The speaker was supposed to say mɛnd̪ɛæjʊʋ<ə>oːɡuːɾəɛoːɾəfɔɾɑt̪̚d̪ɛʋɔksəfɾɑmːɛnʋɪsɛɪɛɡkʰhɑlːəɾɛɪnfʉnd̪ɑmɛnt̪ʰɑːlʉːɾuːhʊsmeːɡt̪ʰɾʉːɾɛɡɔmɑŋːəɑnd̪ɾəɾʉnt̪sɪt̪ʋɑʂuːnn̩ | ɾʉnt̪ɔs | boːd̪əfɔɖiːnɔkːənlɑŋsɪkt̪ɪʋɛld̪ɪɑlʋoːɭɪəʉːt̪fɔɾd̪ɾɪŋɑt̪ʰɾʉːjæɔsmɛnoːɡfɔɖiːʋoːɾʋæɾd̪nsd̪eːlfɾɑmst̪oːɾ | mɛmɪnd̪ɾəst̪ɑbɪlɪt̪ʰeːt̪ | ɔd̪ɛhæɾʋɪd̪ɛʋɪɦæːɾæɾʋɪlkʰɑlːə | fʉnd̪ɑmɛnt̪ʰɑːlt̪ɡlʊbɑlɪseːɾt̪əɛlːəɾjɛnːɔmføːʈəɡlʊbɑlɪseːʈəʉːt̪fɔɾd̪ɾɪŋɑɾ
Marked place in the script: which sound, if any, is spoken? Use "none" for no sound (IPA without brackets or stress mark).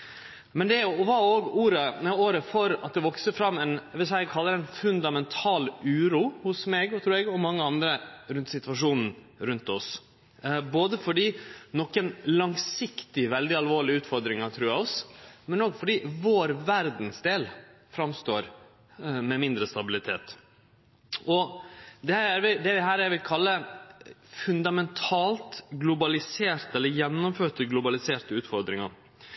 ɑ